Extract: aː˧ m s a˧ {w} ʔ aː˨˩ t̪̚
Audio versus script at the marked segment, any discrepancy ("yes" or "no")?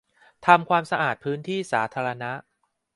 yes